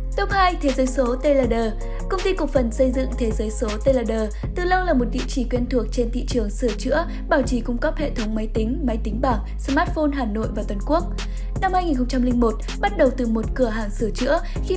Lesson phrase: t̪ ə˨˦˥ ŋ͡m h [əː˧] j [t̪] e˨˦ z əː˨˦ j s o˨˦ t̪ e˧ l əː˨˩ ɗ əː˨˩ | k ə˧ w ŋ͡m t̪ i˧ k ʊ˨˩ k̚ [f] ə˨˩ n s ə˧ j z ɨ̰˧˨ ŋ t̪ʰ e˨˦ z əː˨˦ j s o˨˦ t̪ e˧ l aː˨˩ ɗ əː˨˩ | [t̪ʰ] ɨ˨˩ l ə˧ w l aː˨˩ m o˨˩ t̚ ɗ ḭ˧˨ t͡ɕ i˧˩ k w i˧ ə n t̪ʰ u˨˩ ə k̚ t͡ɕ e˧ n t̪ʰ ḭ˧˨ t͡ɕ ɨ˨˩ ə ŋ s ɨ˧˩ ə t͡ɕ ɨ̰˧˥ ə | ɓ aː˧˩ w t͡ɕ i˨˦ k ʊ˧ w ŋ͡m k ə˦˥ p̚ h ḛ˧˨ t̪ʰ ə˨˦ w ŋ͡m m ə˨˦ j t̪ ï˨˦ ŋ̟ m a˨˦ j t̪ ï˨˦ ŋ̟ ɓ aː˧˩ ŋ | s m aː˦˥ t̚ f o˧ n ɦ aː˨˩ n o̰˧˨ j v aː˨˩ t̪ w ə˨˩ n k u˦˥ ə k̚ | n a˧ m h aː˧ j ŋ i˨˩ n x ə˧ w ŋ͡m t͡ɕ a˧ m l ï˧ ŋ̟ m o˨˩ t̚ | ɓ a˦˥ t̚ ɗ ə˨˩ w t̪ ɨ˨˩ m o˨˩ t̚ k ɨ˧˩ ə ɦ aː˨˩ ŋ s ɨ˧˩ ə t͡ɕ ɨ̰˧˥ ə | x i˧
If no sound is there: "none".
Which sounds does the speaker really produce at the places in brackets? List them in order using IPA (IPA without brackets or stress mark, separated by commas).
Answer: aː˧, t̪ʰ, f, t̪